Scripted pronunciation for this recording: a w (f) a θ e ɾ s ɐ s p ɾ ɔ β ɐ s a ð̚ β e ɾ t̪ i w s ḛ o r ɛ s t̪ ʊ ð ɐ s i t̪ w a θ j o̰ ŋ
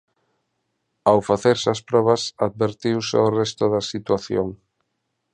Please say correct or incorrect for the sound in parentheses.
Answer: correct